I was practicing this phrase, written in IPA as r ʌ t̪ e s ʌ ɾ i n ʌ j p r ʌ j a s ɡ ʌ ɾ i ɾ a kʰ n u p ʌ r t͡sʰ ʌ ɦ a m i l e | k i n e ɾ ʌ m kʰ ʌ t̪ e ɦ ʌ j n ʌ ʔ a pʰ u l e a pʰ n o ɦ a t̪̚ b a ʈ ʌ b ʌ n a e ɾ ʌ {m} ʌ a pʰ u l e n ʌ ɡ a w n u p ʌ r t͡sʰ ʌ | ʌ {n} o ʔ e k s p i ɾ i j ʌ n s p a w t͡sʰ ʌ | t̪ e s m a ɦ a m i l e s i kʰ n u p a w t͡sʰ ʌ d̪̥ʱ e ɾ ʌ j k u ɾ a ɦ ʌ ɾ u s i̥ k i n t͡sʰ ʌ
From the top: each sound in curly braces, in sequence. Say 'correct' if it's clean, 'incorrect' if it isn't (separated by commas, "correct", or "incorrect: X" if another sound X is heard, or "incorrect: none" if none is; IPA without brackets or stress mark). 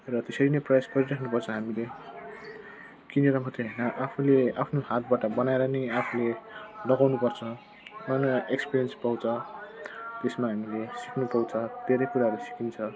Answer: incorrect: n, correct